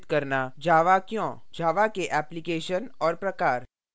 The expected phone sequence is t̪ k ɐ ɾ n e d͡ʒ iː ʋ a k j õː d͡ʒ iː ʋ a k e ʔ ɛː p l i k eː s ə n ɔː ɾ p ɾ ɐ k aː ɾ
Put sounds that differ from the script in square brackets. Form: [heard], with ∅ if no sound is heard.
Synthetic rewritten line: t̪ k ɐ ɾ n [a] d͡ʒ [aː] ʋ a k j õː d͡ʒ [aː] ʋ a k e ʔ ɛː p l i k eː [ʃ] ə n ɔː ɾ p ɾ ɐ k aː ɾ